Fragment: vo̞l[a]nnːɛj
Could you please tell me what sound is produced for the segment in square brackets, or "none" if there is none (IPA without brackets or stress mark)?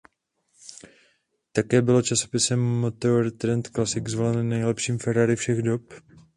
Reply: ɛ